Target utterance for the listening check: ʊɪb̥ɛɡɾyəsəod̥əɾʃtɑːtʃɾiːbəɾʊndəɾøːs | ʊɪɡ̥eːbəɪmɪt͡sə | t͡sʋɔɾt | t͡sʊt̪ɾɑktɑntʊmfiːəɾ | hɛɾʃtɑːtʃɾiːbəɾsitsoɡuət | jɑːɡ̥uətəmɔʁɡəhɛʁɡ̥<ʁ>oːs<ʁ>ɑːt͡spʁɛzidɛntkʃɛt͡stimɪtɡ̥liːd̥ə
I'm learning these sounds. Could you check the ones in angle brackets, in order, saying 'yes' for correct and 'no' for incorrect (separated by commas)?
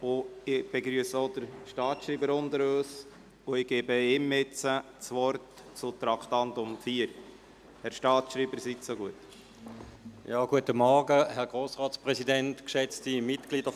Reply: yes, yes